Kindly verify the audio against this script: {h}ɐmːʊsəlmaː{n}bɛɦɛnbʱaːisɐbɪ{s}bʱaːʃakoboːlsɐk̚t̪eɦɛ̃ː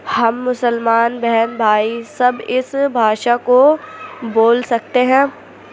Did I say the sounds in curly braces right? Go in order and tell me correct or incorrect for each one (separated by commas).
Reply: correct, correct, correct